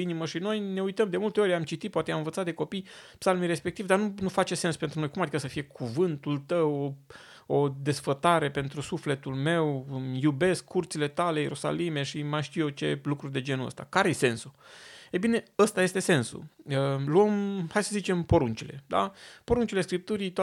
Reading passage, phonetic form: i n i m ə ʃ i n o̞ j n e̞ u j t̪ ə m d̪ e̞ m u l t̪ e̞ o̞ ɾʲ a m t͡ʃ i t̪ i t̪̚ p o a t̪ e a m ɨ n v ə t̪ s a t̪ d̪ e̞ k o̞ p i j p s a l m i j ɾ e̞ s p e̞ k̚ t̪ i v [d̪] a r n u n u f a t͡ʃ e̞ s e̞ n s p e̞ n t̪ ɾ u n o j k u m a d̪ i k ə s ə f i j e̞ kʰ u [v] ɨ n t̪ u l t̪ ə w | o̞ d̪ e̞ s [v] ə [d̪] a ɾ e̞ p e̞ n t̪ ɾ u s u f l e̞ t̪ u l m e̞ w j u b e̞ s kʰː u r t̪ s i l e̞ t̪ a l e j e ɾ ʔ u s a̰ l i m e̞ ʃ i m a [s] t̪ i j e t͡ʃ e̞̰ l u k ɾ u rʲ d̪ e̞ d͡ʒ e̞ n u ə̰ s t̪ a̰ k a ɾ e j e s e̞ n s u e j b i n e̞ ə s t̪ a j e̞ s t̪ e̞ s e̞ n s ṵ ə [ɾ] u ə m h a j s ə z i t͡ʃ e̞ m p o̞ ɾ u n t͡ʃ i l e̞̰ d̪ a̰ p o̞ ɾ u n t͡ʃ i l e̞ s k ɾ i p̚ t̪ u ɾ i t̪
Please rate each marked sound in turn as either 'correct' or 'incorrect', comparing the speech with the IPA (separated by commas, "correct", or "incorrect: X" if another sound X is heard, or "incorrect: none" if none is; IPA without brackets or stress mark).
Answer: correct, correct, incorrect: f, incorrect: t̪, incorrect: ʃ, incorrect: l